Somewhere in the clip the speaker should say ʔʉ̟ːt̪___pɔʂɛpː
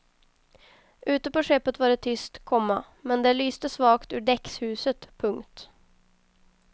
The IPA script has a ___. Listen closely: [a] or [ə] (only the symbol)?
ə